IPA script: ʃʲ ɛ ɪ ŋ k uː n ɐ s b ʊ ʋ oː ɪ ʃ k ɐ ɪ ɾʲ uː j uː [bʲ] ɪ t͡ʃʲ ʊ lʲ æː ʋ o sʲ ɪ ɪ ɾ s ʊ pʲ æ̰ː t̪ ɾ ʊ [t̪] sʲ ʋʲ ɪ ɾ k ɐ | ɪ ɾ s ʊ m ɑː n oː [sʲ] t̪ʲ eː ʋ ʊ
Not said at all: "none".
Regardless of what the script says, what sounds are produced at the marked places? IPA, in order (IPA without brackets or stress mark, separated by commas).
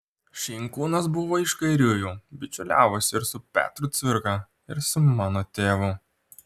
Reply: bʲ, t̪, none